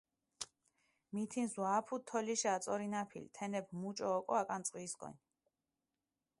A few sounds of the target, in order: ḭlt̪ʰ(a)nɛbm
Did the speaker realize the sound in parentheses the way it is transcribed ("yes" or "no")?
no